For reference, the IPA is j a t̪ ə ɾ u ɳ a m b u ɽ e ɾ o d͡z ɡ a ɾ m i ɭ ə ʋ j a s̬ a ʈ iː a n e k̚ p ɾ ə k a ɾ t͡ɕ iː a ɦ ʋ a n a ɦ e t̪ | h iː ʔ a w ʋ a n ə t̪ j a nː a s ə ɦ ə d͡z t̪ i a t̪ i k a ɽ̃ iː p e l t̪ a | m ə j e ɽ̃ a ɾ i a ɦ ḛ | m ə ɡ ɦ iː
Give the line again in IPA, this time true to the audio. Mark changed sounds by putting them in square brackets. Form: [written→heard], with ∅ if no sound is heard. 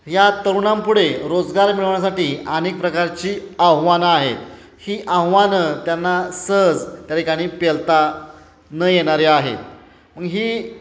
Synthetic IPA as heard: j a t̪ ə ɾ u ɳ a m [b→p] u ɽ e ɾ o d͡z ɡ a ɾ m i ɭ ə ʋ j a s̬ a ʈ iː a n e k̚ p ɾ ə k a ɾ t͡ɕ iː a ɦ ʋ a n a ɦ e t̪ | h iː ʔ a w ʋ a n ə t̪ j a nː a s ə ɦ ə d͡z t̪ [i→j] a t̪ i k a ɽ̃ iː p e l t̪ a | [m→n] ə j e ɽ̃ a ɾ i a ɦ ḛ | m ə ɡ ɦ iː